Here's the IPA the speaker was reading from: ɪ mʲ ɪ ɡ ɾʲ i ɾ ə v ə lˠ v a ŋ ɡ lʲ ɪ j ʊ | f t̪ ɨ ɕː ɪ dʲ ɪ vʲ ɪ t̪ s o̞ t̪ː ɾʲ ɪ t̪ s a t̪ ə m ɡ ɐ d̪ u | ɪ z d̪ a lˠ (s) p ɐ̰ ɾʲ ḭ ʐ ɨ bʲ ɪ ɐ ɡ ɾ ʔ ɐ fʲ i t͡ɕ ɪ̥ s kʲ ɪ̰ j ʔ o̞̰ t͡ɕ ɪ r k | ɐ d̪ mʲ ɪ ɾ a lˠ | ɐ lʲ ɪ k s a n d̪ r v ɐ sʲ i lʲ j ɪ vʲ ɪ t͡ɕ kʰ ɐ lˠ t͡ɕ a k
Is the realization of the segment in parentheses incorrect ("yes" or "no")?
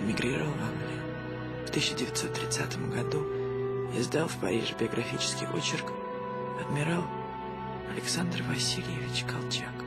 yes